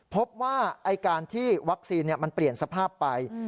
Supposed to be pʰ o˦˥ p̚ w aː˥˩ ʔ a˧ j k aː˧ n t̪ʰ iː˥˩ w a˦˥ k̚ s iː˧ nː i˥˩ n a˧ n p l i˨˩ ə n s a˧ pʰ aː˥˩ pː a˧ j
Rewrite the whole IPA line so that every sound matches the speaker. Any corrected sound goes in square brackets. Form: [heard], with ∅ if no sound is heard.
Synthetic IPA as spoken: pʰ o˦˥ p̚ w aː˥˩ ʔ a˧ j k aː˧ n t̪ʰ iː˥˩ w a˦˥ k̚ s iː˧ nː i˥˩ [m] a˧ n p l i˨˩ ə n s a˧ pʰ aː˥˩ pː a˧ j

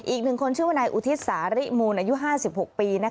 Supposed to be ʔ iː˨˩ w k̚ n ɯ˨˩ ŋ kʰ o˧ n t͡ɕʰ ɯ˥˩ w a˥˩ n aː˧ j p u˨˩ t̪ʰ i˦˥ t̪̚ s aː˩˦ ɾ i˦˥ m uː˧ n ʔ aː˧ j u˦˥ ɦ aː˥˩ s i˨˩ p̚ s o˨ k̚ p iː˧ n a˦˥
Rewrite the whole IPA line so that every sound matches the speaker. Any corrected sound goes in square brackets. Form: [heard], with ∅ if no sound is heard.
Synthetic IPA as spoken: ʔ iː˨˩ [∅] k̚ n ɯ˨˩ ŋ kʰ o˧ n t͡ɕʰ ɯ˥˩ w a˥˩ n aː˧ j [ʔ] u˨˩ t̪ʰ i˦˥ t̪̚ s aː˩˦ ɾ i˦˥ m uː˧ n ʔ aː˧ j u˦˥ ɦ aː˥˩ s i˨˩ p̚ [h] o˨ k̚ p iː˧ n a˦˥

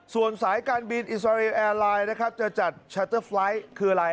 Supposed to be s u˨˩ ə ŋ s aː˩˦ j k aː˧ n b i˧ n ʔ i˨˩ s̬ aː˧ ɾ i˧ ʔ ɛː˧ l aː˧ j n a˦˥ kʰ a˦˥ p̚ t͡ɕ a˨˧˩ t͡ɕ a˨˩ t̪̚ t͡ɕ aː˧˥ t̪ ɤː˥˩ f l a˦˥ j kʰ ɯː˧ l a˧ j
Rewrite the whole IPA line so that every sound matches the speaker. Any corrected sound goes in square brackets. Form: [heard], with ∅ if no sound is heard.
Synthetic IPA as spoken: s u˨˩ ə [n] s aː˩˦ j k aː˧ n b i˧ n ʔ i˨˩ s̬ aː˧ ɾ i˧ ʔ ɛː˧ l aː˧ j n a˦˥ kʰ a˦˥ p̚ t͡ɕ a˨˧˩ t͡ɕ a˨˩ t̪̚ [t͡ɕʰ] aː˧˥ t̪ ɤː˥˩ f l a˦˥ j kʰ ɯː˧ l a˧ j

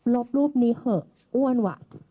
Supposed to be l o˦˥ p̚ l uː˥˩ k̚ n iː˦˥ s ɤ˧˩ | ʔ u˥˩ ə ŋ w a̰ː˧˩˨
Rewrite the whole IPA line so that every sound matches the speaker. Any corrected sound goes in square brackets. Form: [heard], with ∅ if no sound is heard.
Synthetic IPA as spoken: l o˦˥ p̚ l uː˥˩ [p̚] n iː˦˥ [h] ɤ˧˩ | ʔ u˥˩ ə [n] w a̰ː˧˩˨

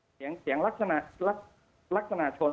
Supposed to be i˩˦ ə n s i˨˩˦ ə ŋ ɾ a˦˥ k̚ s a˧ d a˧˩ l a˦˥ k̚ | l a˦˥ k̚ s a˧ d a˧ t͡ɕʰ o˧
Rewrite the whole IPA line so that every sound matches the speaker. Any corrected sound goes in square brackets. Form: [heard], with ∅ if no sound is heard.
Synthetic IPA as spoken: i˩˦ ə [ŋ] s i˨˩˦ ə ŋ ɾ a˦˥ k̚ s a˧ [n] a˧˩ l a˦˥ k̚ | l a˦˥ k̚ s a˧ [n] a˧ t͡ɕʰ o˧

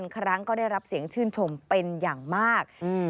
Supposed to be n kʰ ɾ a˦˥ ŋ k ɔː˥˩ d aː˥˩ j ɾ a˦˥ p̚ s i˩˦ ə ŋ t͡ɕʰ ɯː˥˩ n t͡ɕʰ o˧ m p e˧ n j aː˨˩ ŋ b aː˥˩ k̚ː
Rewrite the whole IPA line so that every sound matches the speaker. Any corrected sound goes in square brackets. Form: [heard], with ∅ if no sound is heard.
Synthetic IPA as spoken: n kʰ ɾ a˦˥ ŋ k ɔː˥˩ d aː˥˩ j ɾ a˦˥ p̚ s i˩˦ ə ŋ t͡ɕʰ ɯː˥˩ n t͡ɕʰ o˧ m p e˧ n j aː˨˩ ŋ [m] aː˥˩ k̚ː

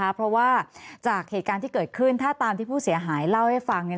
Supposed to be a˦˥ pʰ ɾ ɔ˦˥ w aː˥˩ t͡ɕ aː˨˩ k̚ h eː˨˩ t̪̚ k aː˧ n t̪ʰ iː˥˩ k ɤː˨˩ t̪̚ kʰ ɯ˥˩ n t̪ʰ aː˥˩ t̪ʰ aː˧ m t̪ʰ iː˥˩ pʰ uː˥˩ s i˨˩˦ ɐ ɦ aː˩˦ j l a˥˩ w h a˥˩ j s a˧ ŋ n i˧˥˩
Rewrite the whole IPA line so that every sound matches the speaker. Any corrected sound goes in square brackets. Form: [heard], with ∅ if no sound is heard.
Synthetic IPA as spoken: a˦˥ pʰ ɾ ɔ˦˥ w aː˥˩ t͡ɕ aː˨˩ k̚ h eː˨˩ t̪̚ k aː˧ n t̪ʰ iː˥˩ k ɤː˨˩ t̪̚ kʰ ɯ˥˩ n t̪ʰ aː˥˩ [t̪] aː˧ m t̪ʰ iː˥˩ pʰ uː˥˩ s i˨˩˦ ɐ ɦ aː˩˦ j l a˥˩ w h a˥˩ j [f] a˧ ŋ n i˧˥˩

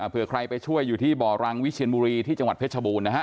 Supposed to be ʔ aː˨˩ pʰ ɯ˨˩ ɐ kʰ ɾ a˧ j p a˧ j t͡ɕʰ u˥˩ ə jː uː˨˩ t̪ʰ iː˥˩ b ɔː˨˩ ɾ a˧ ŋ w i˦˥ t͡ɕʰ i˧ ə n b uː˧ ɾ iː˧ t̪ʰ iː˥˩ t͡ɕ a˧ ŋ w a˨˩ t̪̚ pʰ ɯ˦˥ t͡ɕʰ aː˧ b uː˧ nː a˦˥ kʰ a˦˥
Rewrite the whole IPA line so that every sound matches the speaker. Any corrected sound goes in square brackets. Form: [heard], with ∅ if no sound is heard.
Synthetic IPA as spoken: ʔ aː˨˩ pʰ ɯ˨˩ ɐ kʰ ɾ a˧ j p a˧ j t͡ɕʰ u˥˩ ə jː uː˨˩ t̪ʰ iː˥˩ b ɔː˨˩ ɾ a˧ ŋ w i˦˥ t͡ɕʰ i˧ ə n b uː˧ ɾ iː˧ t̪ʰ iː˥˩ t͡ɕ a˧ ŋ w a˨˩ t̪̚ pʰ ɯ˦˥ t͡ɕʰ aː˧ b uː˧ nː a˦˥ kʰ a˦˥

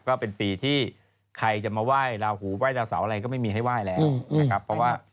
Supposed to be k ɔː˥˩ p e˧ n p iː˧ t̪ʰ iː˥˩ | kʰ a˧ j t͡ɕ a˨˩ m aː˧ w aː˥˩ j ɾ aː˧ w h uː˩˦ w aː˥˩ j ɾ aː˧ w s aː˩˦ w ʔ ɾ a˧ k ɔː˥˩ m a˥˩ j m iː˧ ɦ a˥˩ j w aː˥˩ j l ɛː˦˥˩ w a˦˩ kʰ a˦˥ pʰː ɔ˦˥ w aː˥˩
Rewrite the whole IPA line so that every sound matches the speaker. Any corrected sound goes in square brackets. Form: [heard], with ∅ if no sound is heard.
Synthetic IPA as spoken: k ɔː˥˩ p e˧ n p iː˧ t̪ʰ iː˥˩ | kʰ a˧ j t͡ɕ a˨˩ m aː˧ w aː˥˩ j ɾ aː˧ w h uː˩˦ w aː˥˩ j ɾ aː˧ w s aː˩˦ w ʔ ɾ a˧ k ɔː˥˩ m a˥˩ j m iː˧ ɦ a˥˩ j w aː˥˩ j l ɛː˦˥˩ w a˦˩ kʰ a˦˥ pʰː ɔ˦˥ w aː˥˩

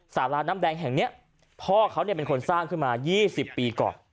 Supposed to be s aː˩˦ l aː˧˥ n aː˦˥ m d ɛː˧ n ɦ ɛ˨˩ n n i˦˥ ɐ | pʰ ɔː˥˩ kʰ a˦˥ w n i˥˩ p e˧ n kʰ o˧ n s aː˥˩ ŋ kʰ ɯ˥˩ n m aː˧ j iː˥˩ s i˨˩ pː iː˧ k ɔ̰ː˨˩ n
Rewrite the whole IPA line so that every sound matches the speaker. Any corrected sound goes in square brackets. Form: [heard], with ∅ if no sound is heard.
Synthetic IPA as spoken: s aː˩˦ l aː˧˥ n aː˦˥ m d ɛː˧ [ŋ] ɦ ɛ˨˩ [ŋ] n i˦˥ ɐ | pʰ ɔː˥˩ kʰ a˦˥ w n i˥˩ p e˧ n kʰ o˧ n s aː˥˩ ŋ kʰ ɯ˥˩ n m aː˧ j iː˥˩ s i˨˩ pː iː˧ k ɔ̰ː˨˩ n

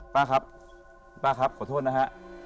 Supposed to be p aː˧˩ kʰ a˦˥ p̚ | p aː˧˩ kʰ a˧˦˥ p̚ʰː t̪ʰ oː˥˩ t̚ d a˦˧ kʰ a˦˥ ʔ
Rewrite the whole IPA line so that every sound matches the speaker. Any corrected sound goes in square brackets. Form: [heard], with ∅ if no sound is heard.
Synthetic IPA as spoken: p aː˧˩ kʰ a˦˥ p̚ | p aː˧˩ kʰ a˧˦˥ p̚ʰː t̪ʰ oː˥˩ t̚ [n] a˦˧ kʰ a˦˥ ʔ

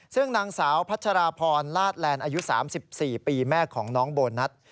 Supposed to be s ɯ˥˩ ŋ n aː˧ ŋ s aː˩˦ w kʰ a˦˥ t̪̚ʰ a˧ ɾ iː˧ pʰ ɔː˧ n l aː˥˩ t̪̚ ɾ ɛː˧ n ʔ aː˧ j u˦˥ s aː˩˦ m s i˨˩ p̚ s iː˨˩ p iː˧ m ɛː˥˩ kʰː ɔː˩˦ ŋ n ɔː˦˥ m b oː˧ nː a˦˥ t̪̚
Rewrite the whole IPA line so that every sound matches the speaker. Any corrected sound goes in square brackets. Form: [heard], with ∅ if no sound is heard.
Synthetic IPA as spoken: s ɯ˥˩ ŋ n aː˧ ŋ s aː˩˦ w [pʰ] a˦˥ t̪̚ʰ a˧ ɾ [aː˧] pʰ ɔː˧ n l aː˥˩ t̪̚ [l] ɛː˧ n ʔ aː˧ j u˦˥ s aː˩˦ m s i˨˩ p̚ s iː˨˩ p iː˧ m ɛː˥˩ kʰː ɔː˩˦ ŋ n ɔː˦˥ [ŋ] b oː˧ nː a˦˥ t̪̚

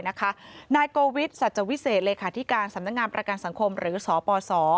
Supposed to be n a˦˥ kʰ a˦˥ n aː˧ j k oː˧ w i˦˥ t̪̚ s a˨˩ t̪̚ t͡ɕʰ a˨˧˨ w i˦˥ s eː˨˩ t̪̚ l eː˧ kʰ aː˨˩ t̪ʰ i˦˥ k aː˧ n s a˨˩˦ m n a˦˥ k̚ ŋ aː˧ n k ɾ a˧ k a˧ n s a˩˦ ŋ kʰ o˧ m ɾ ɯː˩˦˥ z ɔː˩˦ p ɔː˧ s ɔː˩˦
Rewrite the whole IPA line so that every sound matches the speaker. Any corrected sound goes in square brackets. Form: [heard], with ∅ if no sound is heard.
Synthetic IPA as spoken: n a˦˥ kʰ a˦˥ n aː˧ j k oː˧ w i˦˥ t̪̚ s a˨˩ t̪̚ [t͡ɕ] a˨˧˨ w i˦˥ s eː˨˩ t̪̚ l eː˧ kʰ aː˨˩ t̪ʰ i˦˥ k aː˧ n s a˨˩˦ m n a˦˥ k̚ ŋ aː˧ n [p] ɾ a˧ k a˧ n s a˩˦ ŋ kʰ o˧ m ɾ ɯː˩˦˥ [s] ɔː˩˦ p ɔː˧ s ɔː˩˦

